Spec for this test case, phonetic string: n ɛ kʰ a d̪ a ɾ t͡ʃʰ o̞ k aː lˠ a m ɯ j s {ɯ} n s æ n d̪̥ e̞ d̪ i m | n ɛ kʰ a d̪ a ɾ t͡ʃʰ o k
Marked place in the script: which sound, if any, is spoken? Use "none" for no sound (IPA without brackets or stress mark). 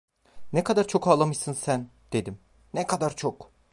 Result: ɯ